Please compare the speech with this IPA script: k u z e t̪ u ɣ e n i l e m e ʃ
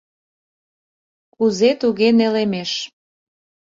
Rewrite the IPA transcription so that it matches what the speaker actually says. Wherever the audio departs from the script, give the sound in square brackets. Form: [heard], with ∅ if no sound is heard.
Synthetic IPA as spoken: k u z e t̪ u ɣ e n [e] l e m e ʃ